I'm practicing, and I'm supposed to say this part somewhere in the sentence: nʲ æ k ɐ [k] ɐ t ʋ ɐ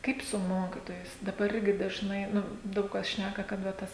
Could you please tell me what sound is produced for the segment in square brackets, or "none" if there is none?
k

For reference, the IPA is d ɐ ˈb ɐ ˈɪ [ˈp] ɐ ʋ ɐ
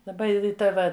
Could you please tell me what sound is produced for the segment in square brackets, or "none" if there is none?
t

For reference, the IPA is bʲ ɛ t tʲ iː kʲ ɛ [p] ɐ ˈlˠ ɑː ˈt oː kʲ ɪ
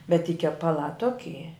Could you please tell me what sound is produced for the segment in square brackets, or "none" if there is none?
p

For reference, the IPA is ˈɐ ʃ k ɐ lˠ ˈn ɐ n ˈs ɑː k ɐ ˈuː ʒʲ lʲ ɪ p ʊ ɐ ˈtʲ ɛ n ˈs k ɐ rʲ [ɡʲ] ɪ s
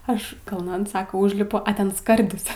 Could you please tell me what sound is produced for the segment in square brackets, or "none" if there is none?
dʲ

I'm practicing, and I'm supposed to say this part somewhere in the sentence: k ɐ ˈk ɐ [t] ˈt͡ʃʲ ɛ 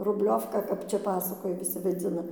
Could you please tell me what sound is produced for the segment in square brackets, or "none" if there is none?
p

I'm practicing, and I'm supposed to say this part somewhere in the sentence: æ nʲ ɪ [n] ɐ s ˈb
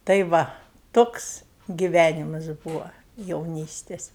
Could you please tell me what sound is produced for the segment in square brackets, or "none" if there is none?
m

